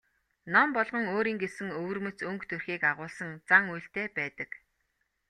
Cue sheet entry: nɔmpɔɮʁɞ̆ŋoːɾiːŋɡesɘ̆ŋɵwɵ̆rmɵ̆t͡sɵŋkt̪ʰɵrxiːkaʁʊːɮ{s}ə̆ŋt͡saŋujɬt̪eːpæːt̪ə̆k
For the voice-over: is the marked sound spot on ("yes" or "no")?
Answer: yes